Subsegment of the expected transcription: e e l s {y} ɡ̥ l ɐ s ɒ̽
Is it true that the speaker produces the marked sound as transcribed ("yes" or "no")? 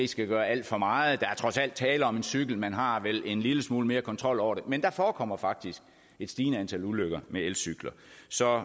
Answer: yes